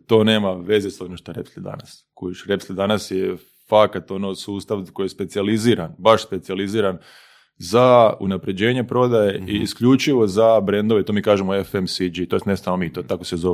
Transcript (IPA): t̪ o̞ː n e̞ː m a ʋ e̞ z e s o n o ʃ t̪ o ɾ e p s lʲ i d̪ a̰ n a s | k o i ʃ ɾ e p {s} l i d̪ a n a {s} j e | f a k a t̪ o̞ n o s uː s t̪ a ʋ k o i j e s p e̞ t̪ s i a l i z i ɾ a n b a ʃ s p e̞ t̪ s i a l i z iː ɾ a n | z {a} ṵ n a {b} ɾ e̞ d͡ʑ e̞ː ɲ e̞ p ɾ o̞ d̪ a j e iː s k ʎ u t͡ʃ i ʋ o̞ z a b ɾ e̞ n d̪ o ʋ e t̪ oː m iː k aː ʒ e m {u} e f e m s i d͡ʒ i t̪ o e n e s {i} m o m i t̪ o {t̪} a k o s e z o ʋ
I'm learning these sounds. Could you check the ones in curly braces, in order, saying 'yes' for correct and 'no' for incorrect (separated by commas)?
yes, yes, yes, no, no, no, yes